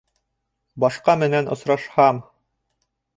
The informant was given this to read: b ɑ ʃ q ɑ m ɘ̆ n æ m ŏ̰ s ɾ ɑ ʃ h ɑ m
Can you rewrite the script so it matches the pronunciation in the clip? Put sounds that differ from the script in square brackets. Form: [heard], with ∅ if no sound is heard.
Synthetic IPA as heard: b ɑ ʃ q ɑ m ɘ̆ n æ [n] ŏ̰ s ɾ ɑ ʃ h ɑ m